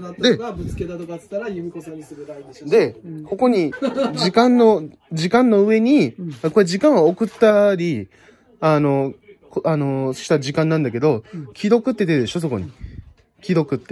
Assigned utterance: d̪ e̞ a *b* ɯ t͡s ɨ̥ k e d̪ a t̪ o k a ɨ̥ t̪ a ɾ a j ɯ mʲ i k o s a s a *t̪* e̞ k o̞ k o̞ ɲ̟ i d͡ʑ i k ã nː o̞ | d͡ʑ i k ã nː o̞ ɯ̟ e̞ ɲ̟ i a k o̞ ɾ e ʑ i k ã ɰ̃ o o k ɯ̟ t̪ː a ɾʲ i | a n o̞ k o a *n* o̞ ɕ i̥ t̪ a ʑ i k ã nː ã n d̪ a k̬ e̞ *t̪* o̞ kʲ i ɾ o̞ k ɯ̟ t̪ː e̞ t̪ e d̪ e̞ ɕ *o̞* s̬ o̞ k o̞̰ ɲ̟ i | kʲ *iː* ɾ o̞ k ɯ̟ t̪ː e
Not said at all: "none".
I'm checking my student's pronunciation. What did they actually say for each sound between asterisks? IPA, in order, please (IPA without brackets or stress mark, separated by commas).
b, d̪, n, d̪, o̞, i